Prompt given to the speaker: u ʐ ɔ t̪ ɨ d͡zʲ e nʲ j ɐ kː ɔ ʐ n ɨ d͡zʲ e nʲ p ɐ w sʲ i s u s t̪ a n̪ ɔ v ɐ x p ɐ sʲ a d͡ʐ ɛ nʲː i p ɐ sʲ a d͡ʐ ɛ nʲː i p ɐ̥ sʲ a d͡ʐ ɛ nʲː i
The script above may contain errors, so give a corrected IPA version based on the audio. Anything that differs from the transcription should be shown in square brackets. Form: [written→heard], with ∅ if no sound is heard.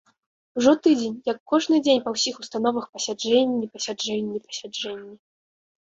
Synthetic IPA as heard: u ʐ ɔ t̪ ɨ d͡zʲ e nʲ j ɐ kː ɔ ʐ n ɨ d͡zʲ e nʲ p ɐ w sʲ i [s→x] u s t̪ a n̪ ɔ v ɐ x p ɐ sʲ a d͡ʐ ɛ nʲː i p ɐ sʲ a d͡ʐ ɛ nʲː i p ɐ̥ sʲ a d͡ʐ ɛ nʲː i